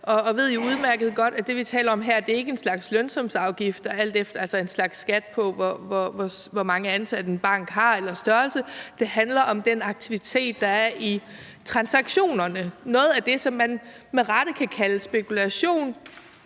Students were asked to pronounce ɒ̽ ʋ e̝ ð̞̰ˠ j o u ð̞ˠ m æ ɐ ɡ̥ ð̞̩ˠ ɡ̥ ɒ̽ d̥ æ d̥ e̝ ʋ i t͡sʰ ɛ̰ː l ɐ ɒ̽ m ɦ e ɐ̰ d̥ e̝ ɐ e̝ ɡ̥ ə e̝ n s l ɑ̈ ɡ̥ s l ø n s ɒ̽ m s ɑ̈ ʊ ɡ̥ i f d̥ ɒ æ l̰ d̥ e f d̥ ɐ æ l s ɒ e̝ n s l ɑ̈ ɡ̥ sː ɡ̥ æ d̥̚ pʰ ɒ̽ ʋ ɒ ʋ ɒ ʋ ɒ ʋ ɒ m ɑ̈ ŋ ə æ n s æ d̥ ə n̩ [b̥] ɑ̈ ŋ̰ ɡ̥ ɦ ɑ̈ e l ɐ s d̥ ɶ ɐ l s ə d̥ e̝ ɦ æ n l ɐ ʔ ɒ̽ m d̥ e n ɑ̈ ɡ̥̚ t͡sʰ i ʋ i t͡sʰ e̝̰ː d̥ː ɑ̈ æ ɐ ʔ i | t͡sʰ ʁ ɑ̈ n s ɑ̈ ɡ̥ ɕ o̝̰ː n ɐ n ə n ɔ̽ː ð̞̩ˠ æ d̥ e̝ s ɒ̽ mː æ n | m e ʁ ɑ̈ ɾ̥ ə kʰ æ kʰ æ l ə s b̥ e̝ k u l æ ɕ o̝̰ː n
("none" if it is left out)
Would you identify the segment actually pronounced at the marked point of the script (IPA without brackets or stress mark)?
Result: b̥